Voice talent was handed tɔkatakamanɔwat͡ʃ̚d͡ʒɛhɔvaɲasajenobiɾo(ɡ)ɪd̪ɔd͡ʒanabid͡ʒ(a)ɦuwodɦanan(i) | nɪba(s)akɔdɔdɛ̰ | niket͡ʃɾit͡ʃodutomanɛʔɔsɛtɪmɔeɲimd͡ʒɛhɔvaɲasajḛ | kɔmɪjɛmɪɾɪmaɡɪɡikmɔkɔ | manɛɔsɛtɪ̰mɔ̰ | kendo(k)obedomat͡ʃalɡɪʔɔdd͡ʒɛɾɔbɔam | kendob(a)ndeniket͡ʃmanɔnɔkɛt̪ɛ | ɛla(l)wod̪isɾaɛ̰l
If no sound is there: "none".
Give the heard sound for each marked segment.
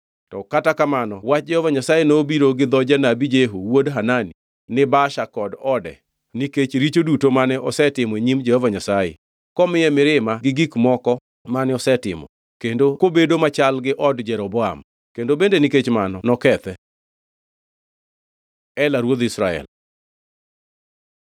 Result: ɡ, e, i, ʃ, k, e, ɾ

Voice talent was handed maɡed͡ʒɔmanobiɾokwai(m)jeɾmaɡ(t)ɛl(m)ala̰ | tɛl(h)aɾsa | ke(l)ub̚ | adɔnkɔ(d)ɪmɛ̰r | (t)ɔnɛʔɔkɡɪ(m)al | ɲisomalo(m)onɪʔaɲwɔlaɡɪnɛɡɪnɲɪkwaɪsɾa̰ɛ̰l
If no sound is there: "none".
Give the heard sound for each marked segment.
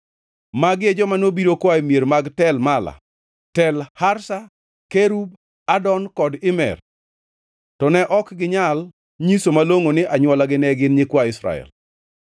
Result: m, t, m, h, ɾ, d, t, ɲ, ŋ

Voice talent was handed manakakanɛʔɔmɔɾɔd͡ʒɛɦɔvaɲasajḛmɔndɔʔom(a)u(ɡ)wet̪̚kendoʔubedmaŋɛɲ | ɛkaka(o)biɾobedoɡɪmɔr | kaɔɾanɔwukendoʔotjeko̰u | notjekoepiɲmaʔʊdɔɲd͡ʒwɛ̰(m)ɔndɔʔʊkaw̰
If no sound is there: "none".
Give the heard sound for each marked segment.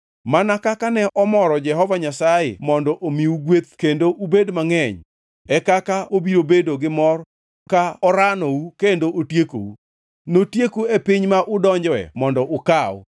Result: i, ɡ, o, m

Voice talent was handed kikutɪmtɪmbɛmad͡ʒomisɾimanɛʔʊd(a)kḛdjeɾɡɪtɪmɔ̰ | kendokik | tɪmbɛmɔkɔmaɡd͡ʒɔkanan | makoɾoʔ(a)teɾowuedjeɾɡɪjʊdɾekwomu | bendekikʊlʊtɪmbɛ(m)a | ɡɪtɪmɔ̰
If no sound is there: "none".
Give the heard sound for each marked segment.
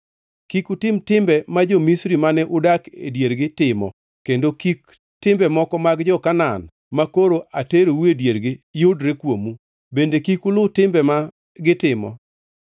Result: a, a, m

